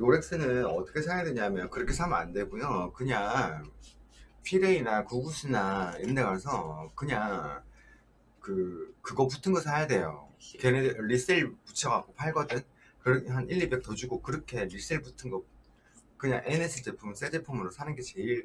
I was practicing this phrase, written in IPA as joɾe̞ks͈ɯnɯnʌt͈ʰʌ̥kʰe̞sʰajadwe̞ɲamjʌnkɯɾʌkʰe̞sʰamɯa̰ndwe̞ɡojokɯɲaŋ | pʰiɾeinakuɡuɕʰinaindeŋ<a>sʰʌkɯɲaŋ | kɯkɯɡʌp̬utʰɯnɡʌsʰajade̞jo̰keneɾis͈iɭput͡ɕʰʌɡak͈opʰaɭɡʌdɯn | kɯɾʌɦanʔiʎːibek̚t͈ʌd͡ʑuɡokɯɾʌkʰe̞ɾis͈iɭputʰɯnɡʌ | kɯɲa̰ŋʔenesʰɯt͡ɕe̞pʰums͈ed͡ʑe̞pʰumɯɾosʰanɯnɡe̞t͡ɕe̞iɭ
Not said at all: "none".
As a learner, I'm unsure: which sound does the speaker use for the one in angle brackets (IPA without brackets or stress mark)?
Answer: a